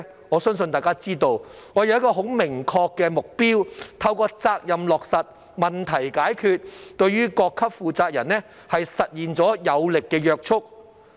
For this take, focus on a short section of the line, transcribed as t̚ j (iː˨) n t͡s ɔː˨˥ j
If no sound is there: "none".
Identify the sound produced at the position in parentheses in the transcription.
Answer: iː˨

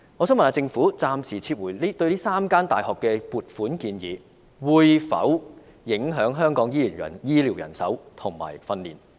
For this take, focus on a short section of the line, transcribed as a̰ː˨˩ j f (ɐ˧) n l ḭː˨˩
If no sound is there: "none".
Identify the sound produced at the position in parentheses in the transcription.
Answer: ɐ˧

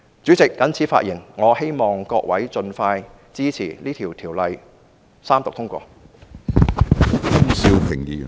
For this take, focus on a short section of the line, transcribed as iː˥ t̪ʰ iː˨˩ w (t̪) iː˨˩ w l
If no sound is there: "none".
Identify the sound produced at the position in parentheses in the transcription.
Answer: t̪ʰ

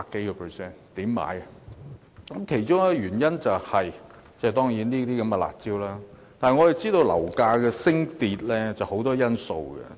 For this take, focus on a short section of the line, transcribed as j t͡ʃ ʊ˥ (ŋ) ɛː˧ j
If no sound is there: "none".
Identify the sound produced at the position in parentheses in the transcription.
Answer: ŋ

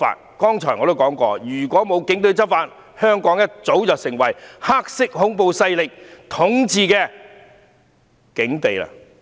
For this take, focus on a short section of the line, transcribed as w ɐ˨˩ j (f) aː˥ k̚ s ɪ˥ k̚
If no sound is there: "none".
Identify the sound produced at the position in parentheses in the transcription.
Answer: h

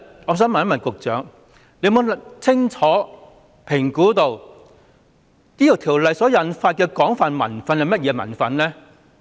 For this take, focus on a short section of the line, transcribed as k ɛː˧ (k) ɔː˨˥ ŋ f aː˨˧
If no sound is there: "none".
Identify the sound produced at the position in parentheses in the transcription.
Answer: k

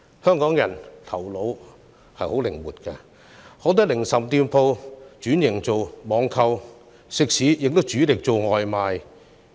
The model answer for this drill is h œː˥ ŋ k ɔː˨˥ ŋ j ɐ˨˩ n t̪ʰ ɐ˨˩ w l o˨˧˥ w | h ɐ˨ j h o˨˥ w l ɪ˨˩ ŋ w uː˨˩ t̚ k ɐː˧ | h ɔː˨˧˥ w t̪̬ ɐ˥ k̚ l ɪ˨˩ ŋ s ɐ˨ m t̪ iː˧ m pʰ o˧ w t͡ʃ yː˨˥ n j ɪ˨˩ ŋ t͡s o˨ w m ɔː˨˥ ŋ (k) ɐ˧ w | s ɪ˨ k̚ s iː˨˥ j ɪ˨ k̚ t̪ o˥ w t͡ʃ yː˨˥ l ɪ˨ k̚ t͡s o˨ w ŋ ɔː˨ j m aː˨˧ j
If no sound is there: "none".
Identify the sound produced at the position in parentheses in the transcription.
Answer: kʰ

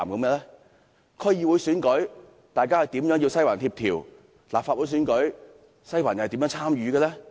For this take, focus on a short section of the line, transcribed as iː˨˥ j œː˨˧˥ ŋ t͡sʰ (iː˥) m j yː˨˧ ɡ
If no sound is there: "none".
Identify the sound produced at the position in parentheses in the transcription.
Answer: aː˥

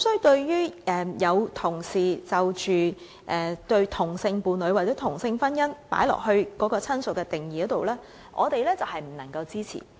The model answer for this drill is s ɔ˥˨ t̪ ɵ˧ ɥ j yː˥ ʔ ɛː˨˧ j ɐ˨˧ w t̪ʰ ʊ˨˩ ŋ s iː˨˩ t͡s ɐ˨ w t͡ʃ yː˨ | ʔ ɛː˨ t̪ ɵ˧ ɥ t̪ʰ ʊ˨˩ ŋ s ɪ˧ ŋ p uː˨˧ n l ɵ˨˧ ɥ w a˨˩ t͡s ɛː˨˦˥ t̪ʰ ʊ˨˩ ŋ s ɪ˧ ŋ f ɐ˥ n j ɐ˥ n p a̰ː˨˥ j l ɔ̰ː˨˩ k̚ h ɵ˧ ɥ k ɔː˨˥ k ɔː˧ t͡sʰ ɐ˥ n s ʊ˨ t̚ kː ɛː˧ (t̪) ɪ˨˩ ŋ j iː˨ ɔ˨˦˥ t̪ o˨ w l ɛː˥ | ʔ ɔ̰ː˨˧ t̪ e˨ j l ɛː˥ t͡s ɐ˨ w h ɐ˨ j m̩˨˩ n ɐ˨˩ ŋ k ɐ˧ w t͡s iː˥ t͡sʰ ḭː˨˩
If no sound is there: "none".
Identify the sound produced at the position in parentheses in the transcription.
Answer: t̪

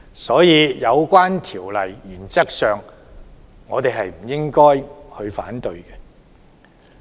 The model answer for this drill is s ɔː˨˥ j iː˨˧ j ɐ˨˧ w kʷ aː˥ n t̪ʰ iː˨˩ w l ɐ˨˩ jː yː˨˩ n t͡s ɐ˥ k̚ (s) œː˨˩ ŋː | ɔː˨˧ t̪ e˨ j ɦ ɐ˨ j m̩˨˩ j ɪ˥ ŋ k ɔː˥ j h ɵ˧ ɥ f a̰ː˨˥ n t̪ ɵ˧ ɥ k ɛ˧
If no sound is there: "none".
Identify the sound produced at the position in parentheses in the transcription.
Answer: s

